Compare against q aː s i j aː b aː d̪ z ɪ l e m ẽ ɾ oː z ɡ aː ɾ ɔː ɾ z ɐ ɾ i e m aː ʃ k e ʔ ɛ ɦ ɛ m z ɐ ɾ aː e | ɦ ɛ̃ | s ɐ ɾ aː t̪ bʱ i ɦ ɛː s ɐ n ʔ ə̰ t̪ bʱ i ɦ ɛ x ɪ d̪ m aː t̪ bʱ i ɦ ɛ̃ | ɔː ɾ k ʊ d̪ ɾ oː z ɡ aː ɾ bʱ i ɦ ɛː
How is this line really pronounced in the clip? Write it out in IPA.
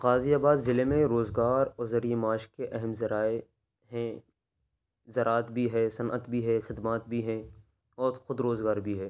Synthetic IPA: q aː z i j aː b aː d̪ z ɪ l e m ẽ ɾ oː z ɡ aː ɾ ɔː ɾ z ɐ ɾ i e m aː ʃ k e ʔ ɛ ɦ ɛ m z ɐ ɾ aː e | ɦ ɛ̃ | z ɐ ɾ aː t̪ bʱ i ɦ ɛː s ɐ n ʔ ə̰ t̪ bʱ i ɦ ɛ x ɪ d̪ m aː t̪ bʱ i ɦ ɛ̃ | ɔː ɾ x ʊ d̪ ɾ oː z ɡ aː ɾ bʱ i ɦ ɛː